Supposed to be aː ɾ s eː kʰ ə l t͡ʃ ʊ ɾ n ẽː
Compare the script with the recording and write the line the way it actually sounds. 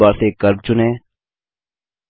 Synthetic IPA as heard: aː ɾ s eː k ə ɾ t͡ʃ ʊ n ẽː